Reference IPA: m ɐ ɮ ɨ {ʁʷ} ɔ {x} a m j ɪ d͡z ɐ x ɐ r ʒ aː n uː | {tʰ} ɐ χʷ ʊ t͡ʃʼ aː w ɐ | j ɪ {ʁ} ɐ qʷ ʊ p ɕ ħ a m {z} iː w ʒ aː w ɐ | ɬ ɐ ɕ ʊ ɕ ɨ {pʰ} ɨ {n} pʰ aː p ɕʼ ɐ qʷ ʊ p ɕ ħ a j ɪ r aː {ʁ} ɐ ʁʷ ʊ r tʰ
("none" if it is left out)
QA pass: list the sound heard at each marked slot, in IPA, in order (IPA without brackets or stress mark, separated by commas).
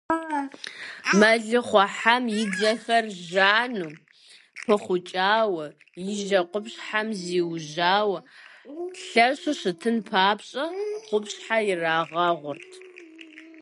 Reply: χʷ, ħ, pʰ, ʒ, z, tʰ, n, ʁ